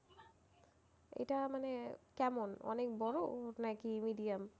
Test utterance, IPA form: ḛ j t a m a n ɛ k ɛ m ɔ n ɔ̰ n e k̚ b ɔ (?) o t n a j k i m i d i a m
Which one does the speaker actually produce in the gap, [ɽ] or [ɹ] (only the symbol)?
ɹ